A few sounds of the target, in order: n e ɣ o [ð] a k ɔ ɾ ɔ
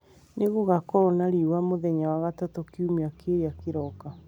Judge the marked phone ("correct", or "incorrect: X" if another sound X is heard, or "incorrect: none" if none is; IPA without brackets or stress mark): incorrect: ɣ